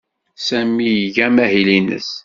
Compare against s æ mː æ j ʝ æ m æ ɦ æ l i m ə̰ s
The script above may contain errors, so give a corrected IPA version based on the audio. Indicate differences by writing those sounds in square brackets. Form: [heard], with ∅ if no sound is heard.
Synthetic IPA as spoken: s æ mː [i] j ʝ æ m æ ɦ [i] l i [n] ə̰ s